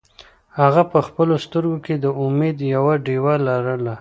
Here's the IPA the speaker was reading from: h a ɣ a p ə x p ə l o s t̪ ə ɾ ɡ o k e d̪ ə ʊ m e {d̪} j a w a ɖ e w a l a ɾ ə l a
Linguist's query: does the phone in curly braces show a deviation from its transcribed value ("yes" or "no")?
no